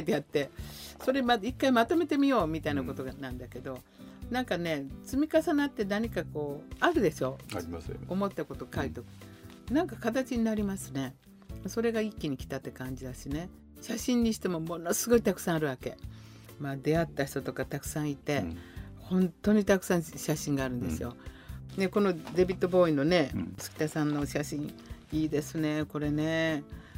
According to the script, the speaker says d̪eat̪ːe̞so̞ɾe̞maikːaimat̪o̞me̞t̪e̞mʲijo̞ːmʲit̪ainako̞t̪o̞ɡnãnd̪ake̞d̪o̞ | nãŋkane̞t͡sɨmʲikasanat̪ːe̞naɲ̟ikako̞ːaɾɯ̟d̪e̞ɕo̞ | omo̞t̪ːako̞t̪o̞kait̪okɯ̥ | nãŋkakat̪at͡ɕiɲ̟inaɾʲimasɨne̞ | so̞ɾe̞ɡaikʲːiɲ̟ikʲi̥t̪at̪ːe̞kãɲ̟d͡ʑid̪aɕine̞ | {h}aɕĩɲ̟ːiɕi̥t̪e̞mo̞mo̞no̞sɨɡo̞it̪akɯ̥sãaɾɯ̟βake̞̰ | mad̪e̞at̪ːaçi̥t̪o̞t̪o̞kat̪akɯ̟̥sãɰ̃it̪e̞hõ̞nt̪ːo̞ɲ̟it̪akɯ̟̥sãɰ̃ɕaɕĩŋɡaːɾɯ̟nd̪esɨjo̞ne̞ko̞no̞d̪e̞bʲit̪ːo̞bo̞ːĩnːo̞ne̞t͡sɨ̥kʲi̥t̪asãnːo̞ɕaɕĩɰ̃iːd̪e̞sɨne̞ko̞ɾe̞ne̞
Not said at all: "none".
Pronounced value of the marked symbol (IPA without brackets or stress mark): ɕ